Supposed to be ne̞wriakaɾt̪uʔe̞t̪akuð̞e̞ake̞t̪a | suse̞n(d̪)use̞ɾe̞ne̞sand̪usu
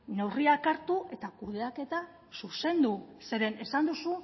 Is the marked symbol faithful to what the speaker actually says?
yes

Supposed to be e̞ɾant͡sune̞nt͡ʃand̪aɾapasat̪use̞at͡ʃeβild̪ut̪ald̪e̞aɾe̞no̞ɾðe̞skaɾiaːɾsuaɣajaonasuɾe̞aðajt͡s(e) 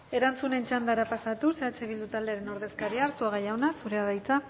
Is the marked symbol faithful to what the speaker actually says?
no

